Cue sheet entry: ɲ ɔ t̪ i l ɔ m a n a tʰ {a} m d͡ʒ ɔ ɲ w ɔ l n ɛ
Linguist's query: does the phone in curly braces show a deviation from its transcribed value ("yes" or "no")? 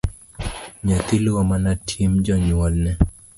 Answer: yes